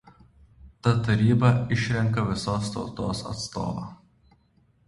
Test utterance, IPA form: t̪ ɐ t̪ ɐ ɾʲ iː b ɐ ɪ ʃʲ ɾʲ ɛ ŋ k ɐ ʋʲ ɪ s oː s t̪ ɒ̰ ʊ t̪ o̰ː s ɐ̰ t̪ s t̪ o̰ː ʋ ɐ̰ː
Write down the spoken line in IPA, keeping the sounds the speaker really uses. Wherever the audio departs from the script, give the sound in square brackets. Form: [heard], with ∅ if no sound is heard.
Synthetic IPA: t̪ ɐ t̪ ɐ ɾʲ iː b ɐ ɪ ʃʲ ɾʲ ɛ ŋ k ɐ ʋʲ ɪ s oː s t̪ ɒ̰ ʊ t̪ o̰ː s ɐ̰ t̪ s t̪ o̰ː ʋ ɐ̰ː